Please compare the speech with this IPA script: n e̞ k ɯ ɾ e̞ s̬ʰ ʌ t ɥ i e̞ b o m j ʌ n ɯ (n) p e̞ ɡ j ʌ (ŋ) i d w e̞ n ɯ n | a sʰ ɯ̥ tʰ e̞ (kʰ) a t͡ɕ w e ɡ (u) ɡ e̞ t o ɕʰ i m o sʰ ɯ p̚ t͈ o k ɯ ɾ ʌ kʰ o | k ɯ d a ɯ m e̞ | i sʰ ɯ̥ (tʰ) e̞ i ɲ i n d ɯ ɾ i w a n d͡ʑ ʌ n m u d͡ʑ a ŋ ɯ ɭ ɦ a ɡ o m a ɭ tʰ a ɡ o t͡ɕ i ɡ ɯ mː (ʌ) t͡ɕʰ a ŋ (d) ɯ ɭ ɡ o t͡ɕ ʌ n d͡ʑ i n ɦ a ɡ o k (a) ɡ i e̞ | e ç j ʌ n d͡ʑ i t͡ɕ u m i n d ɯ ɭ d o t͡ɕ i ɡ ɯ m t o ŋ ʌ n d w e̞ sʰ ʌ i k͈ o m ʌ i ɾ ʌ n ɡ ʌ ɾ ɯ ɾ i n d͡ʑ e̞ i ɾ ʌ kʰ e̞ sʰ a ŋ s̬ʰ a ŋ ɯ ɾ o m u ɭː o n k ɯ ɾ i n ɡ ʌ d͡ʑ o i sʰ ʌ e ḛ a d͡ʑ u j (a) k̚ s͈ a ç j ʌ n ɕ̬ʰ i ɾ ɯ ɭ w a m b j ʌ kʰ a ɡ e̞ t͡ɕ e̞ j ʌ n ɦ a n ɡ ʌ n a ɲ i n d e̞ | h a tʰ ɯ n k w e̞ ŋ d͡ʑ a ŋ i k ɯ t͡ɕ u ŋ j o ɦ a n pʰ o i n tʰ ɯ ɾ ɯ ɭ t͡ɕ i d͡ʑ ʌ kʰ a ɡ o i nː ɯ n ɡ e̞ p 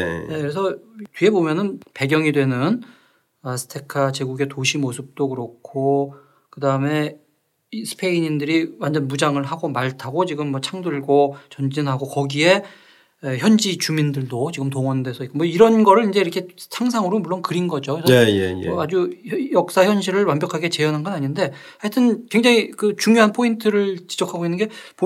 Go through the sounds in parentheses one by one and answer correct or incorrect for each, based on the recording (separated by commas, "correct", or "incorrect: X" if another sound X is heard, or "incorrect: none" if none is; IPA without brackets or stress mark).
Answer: correct, correct, correct, correct, incorrect: pʰ, correct, correct, incorrect: ʌ, incorrect: ʌ